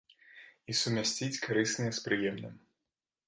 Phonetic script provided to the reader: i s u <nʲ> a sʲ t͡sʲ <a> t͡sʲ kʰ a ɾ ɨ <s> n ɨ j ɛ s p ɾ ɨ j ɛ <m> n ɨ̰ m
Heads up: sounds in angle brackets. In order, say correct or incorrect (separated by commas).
incorrect, incorrect, correct, correct